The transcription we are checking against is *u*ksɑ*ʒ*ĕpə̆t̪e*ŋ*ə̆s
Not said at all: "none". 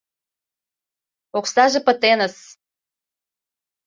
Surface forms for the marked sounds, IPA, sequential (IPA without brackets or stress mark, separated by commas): o, ʒ, n